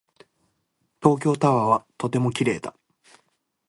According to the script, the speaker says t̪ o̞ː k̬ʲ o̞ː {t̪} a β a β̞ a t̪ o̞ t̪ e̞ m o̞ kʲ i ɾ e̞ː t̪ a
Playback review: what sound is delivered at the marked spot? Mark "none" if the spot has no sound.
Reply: t̪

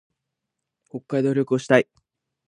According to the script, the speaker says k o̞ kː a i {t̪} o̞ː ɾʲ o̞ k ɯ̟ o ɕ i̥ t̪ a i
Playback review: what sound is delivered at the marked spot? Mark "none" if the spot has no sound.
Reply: d̪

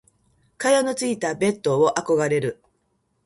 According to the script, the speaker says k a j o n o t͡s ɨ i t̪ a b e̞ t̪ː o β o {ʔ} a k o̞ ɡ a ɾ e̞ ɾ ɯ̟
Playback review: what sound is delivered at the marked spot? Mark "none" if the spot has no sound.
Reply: ʔ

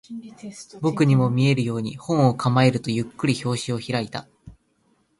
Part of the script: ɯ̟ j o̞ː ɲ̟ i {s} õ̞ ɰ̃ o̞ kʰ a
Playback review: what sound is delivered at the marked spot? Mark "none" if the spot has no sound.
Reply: h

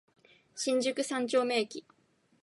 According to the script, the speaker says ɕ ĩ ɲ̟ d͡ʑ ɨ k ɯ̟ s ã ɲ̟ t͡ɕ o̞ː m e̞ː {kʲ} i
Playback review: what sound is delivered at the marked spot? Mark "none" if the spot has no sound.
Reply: kʲ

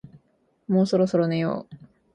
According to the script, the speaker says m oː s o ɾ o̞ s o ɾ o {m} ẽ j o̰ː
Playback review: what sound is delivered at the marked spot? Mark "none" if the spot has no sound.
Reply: n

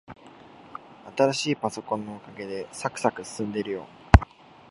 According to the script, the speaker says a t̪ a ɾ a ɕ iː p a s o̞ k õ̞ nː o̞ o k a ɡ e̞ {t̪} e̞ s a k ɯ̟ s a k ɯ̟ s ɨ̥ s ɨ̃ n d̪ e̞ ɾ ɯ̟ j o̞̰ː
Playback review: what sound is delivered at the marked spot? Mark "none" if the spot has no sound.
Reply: d̪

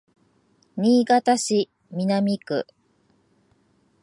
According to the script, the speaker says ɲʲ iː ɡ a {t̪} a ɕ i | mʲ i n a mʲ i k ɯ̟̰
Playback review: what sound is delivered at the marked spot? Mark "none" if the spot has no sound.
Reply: t̪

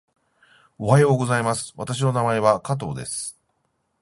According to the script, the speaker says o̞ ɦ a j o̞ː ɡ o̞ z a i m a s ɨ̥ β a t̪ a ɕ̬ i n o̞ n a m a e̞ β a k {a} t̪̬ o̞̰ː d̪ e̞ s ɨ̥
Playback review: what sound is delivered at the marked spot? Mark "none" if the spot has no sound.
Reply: a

